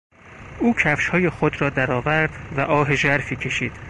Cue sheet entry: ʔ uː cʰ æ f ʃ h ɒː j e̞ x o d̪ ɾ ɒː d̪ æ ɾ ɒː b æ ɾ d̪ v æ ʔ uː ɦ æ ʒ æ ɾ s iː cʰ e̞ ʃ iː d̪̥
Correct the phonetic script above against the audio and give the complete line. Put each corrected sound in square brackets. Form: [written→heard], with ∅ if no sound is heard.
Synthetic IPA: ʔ uː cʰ æ f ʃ h ɒː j e̞ x o d̪ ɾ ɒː d̪ æ ɾ ɒː [b→v] æ ɾ d̪ v æ ʔ [uː→ɒː] ɦ [æ→e] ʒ æ ɾ [s→f] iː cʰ e̞ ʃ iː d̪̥